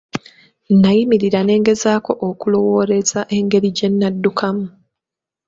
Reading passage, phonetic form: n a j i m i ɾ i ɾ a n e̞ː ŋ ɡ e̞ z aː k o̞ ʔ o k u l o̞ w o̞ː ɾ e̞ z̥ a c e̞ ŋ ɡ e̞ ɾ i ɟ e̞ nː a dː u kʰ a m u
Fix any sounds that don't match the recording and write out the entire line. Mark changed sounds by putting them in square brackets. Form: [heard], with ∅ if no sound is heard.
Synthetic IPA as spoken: n a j i m i ɾ i ɾ a n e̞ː ŋ ɡ e̞ z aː k o̞ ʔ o k u l o̞ w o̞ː ɾ e̞ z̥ a [ʔ] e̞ ŋ ɡ e̞ ɾ i ɟ e̞ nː a dː u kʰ a m u